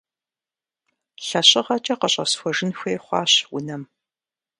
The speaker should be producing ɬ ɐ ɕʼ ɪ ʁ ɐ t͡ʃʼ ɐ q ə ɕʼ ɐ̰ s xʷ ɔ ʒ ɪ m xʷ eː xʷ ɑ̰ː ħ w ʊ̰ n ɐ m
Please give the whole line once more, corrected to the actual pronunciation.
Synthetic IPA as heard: ɬ ɐ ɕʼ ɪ ʁ ɐ t͡ʃʼ ɐ q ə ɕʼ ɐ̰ s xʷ ɔ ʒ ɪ n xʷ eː χʷ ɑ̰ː ɕ w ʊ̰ n ɐ m